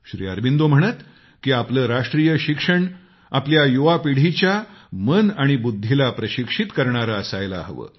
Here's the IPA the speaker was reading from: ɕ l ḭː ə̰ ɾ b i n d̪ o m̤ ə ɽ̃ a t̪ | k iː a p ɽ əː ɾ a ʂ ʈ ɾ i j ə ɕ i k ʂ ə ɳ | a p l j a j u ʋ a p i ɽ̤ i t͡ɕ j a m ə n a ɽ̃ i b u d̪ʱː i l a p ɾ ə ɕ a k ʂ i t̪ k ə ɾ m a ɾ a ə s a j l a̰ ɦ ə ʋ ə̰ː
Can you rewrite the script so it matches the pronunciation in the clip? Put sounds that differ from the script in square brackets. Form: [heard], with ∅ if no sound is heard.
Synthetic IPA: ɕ [ɾ] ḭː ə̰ ɾ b i n d̪ o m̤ ə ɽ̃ [ə] t̪ | k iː a p [l] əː ɾ a ʂ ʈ ɾ i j ə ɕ i k ʂ ə ɳ | a p l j a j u ʋ a p i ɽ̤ i t͡ɕ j a m ə n a ɽ̃ i b u d̪ʱː i l a p ɾ ə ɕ [i] k ʂ i t̪ k ə ɾ [ɳ] a ɾ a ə s a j l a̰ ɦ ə ʋ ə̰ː